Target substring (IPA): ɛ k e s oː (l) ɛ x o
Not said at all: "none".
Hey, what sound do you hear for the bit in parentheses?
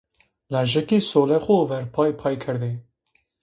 l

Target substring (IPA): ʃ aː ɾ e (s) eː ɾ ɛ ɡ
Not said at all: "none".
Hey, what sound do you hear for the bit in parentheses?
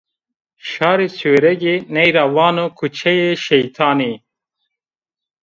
s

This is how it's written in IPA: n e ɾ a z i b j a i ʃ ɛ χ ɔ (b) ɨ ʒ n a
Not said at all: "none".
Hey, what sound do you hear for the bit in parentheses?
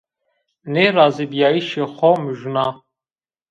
m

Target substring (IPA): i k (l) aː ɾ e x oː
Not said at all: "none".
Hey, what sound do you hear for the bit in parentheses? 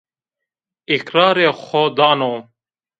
ɾ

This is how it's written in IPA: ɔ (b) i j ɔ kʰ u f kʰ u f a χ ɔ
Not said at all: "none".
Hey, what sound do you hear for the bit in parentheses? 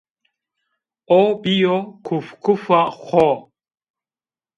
b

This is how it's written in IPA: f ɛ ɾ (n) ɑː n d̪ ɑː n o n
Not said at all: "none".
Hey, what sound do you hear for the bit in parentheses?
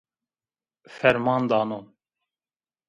m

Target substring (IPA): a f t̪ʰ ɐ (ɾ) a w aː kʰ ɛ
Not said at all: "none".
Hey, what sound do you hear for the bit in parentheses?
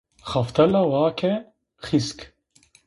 l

